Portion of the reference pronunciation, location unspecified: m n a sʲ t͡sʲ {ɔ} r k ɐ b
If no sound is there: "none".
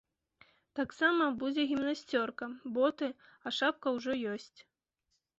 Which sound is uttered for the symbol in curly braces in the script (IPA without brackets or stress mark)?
ɔ